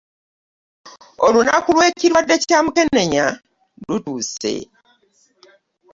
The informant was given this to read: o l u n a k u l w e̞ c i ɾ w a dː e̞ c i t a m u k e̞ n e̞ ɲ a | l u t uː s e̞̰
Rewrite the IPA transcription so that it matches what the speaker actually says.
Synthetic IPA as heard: o l u n a k u l w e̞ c i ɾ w a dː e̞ c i t a m u k e̞ n e̞ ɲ a | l u t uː s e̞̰